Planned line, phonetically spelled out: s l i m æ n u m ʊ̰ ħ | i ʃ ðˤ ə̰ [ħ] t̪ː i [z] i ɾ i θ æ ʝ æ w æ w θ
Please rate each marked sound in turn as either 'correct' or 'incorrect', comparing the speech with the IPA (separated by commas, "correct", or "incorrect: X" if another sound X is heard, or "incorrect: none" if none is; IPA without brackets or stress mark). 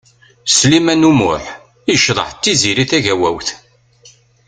correct, correct